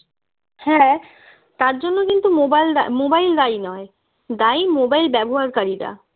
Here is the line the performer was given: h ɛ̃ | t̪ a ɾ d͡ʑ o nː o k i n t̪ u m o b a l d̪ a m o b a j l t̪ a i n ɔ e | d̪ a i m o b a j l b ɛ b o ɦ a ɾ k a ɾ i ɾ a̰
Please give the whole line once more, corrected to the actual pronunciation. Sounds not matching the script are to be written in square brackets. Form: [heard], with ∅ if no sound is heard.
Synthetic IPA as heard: h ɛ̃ | t̪ a ɾ d͡ʑ o nː o k i n t̪ u m o b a l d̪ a m o b a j l [d̪] a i n ɔ e | d̪ a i m o b a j l b ɛ b o ɦ a ɾ k a ɾ i ɾ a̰